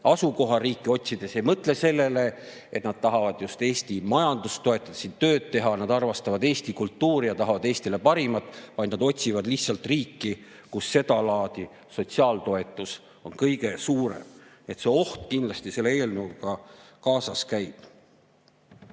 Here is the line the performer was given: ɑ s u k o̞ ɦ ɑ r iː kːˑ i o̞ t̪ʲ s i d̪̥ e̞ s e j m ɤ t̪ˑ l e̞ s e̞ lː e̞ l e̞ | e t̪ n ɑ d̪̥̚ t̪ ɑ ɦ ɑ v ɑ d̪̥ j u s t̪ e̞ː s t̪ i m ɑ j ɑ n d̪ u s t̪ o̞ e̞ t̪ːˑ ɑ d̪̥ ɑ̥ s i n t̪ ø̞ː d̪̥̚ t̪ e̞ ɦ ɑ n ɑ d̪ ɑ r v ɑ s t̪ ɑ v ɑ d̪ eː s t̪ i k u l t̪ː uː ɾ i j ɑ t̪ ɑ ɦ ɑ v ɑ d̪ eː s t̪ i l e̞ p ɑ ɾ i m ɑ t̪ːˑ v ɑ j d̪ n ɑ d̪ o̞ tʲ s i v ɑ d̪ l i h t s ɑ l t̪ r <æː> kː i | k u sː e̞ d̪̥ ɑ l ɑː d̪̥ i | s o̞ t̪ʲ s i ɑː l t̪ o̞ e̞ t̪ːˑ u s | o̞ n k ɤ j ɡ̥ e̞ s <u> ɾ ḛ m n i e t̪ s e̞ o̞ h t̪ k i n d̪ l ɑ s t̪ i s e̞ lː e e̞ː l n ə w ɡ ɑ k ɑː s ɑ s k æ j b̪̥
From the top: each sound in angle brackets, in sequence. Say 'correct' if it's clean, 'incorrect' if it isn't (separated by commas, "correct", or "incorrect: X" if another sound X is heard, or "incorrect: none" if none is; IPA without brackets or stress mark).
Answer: incorrect: iː, incorrect: uː